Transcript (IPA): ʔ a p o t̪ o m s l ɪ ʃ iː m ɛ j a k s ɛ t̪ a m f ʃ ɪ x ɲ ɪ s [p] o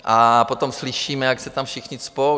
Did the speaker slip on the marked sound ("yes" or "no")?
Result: no